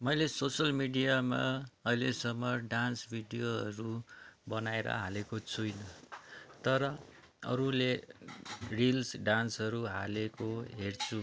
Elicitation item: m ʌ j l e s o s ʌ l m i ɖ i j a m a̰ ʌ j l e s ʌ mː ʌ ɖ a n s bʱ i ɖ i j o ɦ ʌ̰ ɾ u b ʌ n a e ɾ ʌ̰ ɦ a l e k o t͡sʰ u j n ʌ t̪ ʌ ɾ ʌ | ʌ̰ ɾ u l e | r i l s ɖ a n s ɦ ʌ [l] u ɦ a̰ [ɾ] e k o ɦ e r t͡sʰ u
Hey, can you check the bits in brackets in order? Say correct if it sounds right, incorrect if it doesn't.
incorrect, incorrect

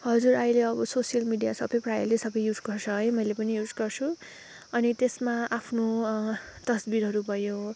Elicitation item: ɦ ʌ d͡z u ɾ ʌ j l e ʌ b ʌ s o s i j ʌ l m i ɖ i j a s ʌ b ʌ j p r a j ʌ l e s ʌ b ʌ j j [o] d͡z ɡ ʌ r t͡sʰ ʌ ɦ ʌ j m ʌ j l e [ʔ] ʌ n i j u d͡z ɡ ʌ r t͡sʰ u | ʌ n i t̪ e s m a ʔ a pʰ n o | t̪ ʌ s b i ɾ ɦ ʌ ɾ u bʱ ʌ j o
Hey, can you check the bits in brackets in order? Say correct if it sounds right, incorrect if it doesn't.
incorrect, incorrect

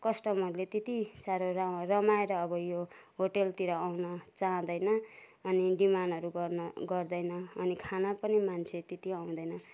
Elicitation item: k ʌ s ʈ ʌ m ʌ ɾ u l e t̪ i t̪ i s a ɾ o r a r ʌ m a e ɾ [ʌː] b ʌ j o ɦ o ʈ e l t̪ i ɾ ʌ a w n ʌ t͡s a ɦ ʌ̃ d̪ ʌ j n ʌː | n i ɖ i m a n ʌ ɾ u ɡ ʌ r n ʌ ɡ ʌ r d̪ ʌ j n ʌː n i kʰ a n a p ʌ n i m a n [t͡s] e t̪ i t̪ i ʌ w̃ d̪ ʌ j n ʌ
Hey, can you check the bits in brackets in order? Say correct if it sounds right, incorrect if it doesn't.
correct, incorrect

